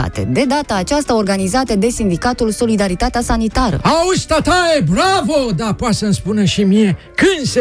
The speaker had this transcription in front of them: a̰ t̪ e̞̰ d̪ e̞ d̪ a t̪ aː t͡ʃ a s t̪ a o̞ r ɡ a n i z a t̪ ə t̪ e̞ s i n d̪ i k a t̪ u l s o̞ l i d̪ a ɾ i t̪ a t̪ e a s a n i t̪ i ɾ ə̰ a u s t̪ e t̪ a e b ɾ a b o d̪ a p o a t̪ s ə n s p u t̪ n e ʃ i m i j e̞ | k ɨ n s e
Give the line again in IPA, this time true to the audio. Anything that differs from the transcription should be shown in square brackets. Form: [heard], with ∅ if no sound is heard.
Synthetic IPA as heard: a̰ t̪ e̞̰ d̪ e̞ d̪ a t̪ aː t͡ʃ a s t̪ a o̞ r ɡ a n i z a t̪ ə [d̪] e̞ s i n d̪ i k a t̪ u l s o̞ l i d̪ a ɾ i t̪ a t̪ e a s a n i t̪ [a] ɾ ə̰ a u s t̪ [a] t̪ a e b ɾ a [v] o d̪ a p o a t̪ s ə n s p u [∅] n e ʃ i m i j e̞ | k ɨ n s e